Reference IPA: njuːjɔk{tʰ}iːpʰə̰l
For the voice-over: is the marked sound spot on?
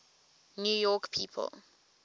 no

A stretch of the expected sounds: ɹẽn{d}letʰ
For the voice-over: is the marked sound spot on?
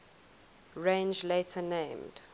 no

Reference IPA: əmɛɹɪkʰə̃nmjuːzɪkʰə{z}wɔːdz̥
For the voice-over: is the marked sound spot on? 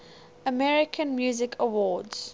no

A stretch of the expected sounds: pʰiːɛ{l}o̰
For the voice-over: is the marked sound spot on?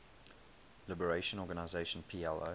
yes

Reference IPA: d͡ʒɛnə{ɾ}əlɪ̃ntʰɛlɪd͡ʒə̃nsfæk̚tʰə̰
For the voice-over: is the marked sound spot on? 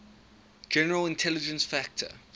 no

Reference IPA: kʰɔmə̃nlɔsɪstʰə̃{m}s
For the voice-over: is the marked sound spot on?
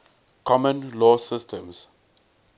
yes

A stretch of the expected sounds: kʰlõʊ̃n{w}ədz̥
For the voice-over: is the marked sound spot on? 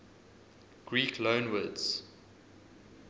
yes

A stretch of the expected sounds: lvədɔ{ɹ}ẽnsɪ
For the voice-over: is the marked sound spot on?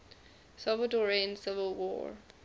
yes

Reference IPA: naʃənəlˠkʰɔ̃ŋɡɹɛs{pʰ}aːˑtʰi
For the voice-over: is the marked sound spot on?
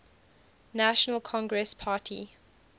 yes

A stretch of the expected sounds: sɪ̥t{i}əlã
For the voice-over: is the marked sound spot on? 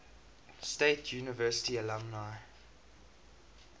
yes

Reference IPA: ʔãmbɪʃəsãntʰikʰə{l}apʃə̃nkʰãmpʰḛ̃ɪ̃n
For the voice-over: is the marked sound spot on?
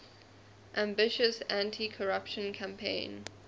no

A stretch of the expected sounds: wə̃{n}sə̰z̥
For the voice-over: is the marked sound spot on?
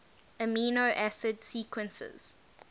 yes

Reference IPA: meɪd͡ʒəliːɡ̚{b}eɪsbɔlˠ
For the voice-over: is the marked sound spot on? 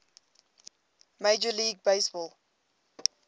yes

